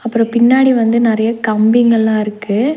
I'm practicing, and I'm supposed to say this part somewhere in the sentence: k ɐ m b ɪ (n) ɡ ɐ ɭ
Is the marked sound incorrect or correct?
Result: incorrect: ŋ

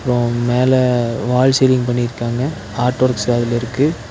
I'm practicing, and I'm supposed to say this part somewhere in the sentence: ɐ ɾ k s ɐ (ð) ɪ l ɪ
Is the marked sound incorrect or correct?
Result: correct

